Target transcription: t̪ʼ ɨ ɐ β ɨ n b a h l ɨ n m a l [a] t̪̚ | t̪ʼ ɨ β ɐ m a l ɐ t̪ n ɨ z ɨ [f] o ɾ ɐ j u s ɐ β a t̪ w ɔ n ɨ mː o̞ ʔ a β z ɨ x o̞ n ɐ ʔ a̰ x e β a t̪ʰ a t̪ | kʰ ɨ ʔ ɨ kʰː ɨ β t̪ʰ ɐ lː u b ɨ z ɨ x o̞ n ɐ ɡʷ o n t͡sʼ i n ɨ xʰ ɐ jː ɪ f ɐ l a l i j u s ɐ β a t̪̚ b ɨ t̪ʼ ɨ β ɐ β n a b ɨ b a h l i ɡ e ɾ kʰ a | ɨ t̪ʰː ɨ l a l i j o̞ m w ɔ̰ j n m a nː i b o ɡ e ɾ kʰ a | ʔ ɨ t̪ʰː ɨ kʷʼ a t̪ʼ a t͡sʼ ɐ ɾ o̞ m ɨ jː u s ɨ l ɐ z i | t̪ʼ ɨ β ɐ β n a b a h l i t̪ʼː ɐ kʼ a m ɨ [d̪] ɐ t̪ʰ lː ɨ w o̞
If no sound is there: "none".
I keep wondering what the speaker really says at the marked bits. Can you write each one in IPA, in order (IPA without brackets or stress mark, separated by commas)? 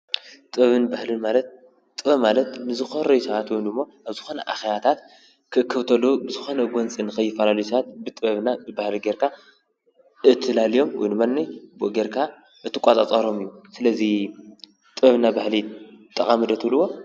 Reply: ɐ, x, d̪